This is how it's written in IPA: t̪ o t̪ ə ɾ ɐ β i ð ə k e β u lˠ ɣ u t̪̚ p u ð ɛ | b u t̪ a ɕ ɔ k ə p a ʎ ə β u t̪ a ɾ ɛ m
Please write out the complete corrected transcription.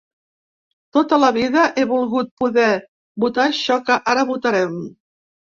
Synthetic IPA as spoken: t̪ o t̪ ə l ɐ β i ð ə ʔ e β u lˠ ɣ u t̪̚ p u ð ɛ | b u t̪ a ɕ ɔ k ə ʔ a ɾ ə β u t̪ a ɾ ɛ m

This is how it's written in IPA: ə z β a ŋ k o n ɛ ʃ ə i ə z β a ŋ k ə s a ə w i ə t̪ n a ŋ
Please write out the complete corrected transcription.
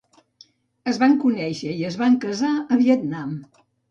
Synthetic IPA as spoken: ə z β a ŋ k u n ɛ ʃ ə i ə z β a ŋ k ə z a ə β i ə t̪ n a m

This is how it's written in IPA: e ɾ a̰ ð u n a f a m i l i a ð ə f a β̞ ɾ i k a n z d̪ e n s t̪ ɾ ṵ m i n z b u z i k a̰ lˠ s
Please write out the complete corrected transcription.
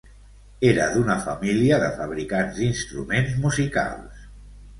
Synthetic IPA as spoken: e ɾ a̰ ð u n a f a m i l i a ð ə f a β̞ ɾ i k a n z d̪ i n s t̪ ɾ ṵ m e n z m u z i k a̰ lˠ s

